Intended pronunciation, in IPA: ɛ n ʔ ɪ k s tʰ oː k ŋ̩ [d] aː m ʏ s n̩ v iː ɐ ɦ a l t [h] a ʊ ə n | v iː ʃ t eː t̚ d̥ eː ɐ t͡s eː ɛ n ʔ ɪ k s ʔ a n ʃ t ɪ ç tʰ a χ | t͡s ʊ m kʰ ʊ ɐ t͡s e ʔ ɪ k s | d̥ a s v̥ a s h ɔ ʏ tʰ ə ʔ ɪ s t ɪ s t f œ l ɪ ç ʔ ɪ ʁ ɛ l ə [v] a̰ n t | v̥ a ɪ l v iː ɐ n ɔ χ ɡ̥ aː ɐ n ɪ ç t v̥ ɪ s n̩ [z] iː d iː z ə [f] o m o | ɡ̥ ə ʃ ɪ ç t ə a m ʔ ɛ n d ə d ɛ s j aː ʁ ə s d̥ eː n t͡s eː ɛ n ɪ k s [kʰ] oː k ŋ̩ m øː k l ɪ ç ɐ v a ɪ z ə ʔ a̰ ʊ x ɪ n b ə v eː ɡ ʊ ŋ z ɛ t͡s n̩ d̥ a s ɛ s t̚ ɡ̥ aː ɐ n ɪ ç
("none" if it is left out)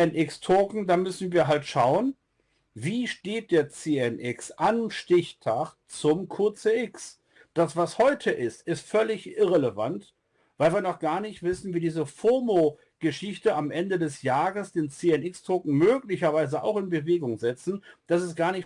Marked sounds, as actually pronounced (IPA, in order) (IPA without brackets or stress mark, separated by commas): d, ʃ, v, v, f, tʰ